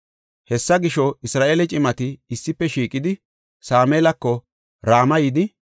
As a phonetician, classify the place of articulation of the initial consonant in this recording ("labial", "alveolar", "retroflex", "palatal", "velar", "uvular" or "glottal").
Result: glottal